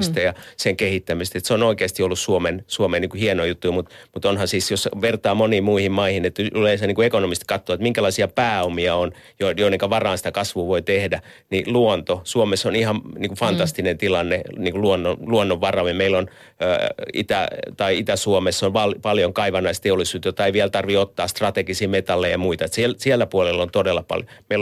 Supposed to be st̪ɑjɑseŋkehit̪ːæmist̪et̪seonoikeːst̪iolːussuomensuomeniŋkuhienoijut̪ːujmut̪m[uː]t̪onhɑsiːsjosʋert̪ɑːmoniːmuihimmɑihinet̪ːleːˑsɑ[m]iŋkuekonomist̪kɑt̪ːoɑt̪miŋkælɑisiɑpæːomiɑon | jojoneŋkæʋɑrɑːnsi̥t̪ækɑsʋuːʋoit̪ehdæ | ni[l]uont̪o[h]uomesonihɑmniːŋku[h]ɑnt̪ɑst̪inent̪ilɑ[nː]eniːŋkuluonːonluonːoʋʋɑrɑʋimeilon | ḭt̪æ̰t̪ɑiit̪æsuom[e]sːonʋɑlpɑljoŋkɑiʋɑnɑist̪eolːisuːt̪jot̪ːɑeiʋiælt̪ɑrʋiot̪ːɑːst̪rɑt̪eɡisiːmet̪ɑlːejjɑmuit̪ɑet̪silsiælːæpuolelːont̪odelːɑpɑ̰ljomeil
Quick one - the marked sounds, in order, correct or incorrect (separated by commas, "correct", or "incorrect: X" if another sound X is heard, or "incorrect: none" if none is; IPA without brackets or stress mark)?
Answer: incorrect: u, incorrect: n, correct, incorrect: s, incorrect: f, correct, correct